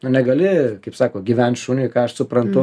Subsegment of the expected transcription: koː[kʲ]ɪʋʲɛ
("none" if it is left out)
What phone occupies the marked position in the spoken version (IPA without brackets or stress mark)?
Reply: ɡʲ